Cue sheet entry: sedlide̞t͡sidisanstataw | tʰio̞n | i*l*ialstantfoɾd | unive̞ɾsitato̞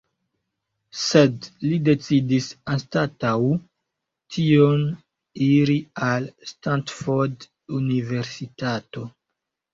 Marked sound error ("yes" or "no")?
yes